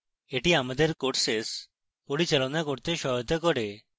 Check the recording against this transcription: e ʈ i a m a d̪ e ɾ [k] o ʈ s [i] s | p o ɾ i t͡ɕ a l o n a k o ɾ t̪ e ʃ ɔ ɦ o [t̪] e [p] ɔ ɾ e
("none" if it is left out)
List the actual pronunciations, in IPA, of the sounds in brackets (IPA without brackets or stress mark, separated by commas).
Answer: k, e, t̪, k